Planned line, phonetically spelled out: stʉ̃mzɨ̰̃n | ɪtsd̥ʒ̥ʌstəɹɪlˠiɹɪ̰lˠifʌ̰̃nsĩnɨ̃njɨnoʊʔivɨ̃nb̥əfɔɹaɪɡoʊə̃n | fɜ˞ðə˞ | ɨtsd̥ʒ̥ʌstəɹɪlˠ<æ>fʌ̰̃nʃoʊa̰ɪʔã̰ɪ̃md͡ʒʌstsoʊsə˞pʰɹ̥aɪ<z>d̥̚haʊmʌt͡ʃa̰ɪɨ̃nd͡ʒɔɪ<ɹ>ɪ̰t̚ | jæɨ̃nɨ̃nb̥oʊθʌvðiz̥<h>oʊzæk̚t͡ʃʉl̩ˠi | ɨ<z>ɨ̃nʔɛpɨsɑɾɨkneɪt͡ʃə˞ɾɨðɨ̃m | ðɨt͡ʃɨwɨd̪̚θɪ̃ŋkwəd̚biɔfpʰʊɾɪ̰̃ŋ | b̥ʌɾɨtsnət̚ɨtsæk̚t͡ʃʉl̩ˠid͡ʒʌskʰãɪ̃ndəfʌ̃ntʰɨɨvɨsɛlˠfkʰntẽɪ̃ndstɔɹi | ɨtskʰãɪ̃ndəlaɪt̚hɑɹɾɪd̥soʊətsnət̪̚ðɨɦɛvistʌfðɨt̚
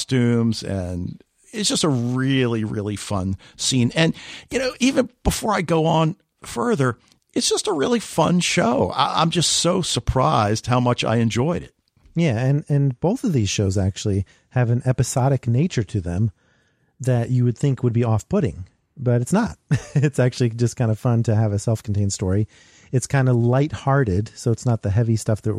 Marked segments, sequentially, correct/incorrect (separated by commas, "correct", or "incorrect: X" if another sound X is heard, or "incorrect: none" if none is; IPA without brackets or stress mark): incorrect: i, correct, incorrect: ɾ, incorrect: ʃ, incorrect: v